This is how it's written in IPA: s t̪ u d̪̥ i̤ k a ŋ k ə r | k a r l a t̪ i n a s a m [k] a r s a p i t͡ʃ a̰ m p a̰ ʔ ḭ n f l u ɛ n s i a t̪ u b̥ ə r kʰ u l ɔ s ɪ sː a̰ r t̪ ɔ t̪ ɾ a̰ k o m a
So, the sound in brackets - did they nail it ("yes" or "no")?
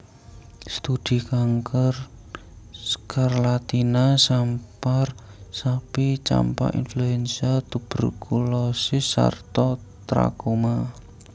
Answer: no